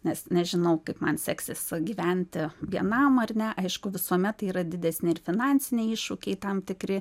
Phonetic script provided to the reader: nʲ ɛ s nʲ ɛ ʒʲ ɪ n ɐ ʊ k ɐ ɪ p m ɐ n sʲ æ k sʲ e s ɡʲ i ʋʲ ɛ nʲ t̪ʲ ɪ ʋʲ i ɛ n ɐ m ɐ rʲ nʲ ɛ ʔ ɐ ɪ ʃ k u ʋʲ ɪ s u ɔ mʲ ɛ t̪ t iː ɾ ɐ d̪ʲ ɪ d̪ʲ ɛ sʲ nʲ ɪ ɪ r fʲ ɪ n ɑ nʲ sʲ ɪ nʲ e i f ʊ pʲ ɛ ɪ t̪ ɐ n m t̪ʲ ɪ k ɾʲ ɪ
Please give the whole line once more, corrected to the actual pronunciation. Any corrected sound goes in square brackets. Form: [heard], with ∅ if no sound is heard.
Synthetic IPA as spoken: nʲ ɛ s nʲ ɛ ʒʲ ɪ n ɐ ʊ k ɐ ɪ p m ɐ n sʲ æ k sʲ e s ɡʲ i ʋʲ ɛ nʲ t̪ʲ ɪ ʋʲ i ɛ n ɐ m ɐ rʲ nʲ ɛ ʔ ɐ ɪ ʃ k [ʊ] ʋʲ ɪ s u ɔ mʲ ɛ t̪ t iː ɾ ɐ d̪ʲ ɪ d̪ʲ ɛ sʲ nʲ ɪ ɪ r fʲ ɪ n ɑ nʲ sʲ ɪ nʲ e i [ʃ] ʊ [kʲ] ɛ ɪ t̪ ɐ [∅] m t̪ʲ ɪ k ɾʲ ɪ